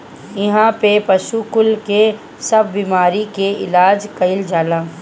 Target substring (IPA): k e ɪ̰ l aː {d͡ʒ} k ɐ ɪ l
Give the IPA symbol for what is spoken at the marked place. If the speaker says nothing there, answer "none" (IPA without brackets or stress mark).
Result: d͡ʒ